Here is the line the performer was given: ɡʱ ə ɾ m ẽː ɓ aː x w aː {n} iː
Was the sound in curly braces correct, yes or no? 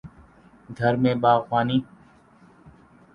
yes